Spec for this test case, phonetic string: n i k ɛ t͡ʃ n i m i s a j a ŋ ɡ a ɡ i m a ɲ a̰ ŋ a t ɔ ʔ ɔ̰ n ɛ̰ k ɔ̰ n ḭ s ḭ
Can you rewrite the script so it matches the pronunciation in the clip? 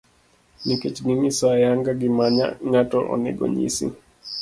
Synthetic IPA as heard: n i k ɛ t͡ʃ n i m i s a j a ŋ ɡ a ɡ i m a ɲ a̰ ŋ a t ɔ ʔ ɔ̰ n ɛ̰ ɡ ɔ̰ ɲ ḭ s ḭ